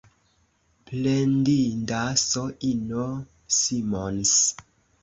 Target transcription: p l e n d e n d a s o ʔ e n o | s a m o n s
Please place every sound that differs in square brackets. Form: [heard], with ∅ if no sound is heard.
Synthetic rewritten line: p l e n d [i] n d a s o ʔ [i] n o | s [i] m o n s